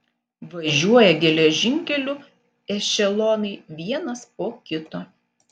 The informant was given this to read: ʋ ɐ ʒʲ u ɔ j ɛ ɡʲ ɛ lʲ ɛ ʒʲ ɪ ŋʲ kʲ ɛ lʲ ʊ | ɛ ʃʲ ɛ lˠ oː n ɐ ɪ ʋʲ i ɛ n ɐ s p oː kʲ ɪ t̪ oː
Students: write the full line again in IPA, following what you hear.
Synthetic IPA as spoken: ʋ ɐ ʒʲ u ɔ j ɛ ɡʲ ɛ lʲ ɛ ʒʲ ɪ ŋʲ kʲ ɛ lʲ ʊ | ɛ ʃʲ ɛ lˠ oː n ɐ ɪ ʋʲ i ɛ n ɐ s p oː kʲ ɪ t̪ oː